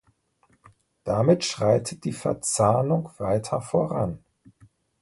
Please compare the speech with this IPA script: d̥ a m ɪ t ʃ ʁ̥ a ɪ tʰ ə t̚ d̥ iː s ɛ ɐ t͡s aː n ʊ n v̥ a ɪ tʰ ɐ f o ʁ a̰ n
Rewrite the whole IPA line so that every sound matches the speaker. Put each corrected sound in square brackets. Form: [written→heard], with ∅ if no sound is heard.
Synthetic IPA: d̥ a m ɪ t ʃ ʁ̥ a ɪ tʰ ə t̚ d̥ iː [s→f] ɛ ɐ t͡s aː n ʊ [n→ŋ] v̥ a ɪ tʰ ɐ f o ʁ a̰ n